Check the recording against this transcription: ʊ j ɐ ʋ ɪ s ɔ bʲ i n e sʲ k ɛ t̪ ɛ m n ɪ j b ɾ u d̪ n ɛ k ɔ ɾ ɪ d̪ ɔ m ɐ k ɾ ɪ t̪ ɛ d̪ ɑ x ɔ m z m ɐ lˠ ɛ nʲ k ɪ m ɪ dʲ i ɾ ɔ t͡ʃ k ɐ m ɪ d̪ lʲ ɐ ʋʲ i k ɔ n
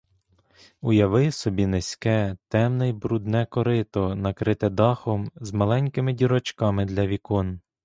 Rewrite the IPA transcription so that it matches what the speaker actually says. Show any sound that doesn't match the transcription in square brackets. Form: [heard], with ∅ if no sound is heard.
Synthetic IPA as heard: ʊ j ɐ ʋ ɪ s ɔ bʲ i n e sʲ k ɛ t̪ ɛ m n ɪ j b ɾ u d̪ n ɛ k ɔ ɾ ɪ [t̪] ɔ [n] ɐ k ɾ ɪ t̪ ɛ d̪ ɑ x ɔ m z m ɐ lˠ ɛ nʲ k ɪ m ɪ dʲ i ɾ ɔ t͡ʃ k [ɑ] m ɪ d̪ lʲ ɐ ʋʲ i k ɔ n